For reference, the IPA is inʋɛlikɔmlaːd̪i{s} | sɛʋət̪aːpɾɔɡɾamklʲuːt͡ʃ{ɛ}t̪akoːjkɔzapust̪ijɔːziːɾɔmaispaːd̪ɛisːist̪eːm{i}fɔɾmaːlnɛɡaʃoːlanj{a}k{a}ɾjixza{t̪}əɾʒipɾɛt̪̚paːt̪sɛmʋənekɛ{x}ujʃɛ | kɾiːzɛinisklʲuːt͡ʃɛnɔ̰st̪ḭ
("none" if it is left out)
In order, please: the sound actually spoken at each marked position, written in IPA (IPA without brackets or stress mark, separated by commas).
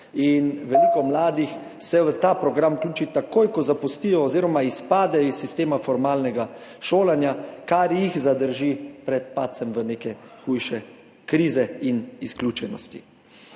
x, i, a, a, a, d̪, x